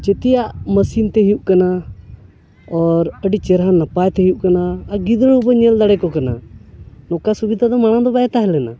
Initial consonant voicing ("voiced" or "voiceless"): voiceless